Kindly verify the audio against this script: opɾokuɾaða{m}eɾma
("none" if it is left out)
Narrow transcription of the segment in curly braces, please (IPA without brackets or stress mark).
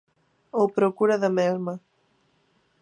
m